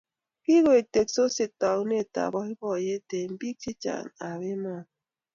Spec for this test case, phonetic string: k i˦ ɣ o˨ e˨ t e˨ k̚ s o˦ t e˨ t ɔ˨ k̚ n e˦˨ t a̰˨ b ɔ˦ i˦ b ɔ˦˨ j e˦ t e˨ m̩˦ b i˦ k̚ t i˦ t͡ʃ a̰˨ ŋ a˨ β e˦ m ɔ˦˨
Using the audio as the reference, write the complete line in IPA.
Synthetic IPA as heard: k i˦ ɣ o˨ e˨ t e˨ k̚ s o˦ s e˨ t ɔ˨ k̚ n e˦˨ t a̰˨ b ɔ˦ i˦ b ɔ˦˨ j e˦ t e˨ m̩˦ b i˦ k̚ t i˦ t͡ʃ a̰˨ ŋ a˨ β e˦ m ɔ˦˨